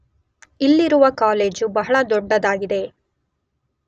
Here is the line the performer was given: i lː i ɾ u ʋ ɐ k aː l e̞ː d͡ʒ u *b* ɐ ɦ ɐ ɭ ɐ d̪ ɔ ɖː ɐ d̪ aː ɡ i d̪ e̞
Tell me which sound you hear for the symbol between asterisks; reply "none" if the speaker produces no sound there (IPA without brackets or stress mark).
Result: b